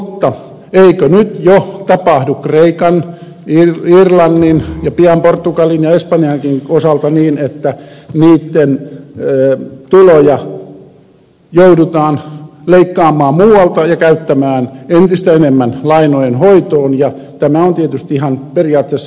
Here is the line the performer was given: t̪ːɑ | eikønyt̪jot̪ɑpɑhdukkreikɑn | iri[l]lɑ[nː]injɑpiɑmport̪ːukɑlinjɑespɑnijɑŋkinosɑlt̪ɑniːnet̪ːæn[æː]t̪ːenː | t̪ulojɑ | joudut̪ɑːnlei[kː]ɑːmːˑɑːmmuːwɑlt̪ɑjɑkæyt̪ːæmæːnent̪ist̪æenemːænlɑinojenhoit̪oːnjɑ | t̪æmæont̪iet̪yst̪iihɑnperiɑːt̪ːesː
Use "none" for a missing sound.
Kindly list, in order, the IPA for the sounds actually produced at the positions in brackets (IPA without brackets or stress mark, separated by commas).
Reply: r, nː, iː, kː